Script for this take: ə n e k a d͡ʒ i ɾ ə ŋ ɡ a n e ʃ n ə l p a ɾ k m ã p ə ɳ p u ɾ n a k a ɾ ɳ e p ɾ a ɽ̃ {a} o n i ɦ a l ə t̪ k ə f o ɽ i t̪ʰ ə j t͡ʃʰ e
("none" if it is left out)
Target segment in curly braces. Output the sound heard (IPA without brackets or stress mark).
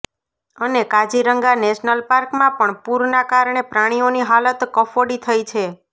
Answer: i